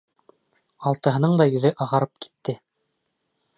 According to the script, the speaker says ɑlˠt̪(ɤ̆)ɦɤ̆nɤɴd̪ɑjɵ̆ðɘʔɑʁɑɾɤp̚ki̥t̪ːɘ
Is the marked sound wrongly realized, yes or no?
no